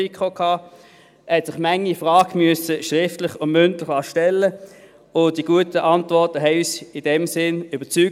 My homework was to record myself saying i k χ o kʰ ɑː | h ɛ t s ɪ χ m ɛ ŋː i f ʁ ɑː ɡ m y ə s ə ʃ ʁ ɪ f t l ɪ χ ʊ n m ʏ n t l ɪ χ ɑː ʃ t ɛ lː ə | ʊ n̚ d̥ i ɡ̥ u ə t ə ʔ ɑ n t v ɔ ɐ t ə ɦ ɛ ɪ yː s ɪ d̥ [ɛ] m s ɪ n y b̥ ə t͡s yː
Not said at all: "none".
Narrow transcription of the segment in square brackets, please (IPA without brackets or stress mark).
ɛ